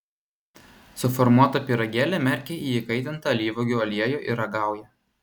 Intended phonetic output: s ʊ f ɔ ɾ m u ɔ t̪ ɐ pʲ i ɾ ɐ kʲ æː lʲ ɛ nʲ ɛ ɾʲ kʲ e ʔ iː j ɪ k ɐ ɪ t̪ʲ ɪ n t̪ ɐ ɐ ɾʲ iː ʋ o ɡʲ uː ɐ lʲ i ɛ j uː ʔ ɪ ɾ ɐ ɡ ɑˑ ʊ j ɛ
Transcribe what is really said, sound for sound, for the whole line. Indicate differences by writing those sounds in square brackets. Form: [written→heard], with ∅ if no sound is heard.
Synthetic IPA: s ʊ f ɔ ɾ m u ɔ t̪ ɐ pʲ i ɾ ɐ [kʲ→ɡʲ] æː lʲ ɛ [nʲ→mʲ] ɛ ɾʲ kʲ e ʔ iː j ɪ k ɐ ɪ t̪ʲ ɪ n t̪ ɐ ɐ [ɾʲ→lʲ] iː ʋ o ɡʲ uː ɐ lʲ i ɛ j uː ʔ ɪ ɾ ɐ ɡ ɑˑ ʊ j ɛ